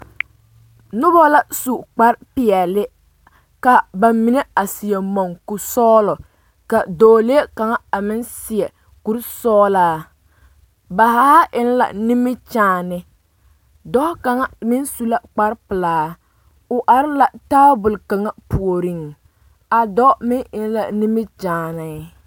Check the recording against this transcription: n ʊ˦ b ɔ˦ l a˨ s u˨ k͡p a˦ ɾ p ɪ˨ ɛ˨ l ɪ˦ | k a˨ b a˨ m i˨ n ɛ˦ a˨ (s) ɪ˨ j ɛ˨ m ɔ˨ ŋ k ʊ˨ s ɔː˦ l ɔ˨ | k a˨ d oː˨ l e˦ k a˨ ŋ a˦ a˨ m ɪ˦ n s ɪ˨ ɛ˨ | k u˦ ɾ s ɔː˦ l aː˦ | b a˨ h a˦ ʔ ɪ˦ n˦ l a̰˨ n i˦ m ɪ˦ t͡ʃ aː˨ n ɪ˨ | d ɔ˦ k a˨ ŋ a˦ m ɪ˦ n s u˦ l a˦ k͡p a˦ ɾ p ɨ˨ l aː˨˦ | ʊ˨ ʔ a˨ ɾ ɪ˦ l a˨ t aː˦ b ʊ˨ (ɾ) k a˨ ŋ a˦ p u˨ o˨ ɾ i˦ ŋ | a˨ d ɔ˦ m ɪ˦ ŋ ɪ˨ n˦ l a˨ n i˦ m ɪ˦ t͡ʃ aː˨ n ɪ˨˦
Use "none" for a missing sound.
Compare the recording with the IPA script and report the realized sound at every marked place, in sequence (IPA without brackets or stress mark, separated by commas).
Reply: s, l